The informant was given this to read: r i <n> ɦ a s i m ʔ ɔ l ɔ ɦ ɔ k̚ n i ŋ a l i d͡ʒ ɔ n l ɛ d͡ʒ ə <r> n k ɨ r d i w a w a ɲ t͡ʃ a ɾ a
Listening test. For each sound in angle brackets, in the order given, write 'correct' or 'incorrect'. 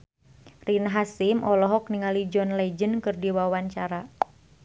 correct, incorrect

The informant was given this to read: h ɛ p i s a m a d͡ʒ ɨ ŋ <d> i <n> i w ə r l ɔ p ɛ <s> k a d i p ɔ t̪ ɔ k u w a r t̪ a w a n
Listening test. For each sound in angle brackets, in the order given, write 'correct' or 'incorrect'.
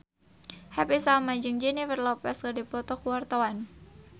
incorrect, correct, correct

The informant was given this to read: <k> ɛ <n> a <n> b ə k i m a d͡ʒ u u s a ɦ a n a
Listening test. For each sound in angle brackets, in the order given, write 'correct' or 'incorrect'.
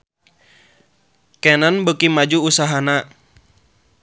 correct, correct, correct

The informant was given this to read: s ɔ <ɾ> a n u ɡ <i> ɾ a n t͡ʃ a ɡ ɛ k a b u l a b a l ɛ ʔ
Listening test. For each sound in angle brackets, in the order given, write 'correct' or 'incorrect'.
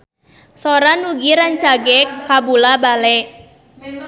correct, correct

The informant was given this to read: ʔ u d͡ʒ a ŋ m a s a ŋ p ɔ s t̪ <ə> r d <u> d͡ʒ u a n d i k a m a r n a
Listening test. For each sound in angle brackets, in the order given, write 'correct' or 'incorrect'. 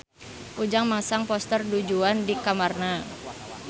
correct, correct

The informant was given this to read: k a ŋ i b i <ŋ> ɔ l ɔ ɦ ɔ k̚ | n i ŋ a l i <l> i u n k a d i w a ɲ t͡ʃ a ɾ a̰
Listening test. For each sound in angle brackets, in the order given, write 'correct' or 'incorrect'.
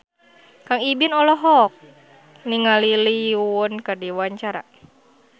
incorrect, correct

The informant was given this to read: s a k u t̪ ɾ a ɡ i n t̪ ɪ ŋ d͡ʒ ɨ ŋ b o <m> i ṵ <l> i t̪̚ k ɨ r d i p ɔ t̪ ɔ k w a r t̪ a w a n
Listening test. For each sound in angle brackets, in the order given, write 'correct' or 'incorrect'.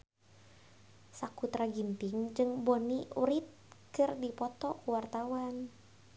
incorrect, incorrect

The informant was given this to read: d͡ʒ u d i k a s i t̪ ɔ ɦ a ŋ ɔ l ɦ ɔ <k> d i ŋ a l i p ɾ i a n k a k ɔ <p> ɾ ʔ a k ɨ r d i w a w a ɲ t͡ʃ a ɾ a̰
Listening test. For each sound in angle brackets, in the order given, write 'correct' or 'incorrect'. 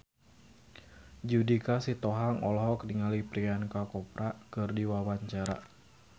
correct, correct

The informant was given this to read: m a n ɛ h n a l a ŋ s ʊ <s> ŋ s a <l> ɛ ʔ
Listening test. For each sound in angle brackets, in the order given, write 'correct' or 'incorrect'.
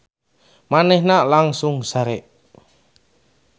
incorrect, incorrect

